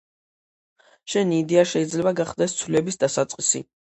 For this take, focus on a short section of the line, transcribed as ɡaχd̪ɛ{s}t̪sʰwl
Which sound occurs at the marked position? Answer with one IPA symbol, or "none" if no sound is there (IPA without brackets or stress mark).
s